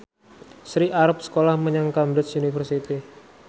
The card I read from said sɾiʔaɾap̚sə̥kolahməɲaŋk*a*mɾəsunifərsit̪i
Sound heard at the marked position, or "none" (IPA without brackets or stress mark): a